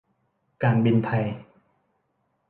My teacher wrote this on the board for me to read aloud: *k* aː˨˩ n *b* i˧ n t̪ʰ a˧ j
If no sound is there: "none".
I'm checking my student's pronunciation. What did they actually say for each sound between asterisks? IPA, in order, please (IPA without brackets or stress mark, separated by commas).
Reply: k, b